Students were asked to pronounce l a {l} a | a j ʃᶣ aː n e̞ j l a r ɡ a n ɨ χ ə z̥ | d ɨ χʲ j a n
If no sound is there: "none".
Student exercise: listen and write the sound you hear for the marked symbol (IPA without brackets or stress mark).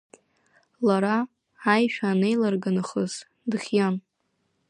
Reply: ɾ